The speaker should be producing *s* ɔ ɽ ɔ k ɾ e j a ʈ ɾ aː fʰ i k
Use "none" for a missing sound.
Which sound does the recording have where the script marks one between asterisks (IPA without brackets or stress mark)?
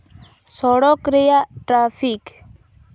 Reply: s